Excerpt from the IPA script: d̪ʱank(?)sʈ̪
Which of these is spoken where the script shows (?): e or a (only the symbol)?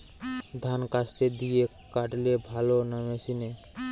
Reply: a